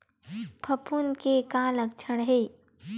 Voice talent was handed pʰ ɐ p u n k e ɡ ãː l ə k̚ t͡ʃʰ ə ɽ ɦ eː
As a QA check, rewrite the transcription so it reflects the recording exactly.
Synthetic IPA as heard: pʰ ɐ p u n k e k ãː l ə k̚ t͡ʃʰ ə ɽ ɦ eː